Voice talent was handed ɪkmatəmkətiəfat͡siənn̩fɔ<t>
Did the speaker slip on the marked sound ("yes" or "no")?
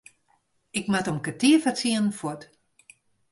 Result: no